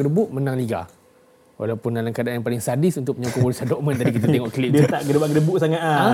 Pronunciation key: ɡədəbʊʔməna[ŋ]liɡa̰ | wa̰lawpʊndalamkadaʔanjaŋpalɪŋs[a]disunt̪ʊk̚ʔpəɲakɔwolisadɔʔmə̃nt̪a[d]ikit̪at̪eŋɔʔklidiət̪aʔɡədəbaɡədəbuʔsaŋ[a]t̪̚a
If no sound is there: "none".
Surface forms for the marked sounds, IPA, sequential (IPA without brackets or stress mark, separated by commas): ŋ, a, d, a